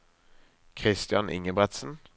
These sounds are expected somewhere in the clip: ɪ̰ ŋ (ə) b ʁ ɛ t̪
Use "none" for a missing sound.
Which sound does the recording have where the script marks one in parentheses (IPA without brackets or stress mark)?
ə